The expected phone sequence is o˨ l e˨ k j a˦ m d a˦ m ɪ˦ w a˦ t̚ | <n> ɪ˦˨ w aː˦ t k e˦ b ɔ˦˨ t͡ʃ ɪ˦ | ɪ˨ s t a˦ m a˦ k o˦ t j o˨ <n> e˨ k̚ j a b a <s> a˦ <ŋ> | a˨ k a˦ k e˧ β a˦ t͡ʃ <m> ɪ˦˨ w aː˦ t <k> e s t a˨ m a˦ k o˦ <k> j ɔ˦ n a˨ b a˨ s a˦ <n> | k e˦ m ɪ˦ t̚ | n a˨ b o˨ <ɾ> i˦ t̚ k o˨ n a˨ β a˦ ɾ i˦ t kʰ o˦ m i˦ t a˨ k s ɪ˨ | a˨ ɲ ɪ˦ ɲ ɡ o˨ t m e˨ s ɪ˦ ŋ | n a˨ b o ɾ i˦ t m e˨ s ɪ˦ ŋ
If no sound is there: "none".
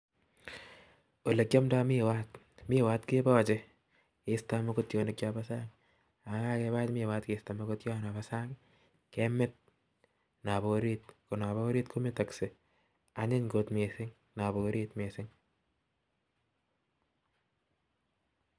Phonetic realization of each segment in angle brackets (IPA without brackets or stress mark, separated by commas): m, n, s, ŋ, m, k, t, ŋ, ɾ